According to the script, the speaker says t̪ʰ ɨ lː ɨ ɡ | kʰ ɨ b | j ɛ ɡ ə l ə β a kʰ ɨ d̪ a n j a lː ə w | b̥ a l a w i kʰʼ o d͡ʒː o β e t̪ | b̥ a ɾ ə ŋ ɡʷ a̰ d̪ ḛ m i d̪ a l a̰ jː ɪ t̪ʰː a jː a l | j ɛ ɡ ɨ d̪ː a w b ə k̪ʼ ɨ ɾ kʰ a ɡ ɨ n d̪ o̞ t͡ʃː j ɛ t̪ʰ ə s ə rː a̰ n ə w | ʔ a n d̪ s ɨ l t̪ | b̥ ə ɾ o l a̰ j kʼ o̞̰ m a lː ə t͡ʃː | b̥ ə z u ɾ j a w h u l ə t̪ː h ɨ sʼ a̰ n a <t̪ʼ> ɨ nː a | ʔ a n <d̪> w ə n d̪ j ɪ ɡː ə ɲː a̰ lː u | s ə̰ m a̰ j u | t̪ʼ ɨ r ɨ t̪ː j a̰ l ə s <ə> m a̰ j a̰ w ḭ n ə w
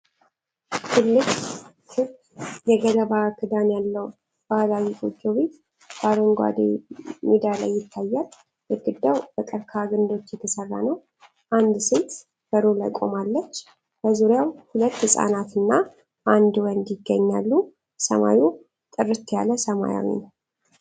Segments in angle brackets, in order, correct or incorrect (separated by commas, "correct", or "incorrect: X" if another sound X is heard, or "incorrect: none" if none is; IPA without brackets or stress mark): incorrect: t̪, correct, correct